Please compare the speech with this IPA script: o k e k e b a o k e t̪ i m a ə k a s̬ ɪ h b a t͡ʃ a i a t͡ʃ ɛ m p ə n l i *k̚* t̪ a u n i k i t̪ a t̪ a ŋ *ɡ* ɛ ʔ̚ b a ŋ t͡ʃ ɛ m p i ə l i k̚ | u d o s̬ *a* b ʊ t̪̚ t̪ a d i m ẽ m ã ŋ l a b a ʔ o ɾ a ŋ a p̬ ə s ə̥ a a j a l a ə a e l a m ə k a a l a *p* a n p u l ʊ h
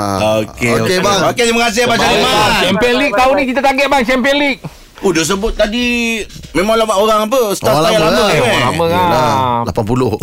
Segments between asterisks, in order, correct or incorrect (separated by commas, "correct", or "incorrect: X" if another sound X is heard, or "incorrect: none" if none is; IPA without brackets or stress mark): correct, correct, incorrect: ə, correct